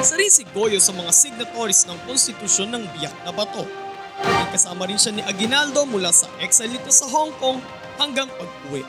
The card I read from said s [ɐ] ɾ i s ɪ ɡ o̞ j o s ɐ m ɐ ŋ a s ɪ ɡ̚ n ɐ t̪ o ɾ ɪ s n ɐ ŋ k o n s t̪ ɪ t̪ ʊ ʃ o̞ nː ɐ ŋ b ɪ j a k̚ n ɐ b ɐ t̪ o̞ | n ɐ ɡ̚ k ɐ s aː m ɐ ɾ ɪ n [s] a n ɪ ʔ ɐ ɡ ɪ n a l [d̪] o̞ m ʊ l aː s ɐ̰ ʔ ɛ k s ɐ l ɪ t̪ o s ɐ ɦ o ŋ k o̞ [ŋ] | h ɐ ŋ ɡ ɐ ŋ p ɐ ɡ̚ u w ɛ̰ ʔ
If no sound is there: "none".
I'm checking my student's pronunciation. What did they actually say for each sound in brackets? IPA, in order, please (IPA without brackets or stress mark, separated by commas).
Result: ɐ, ʃ, d̪, ŋ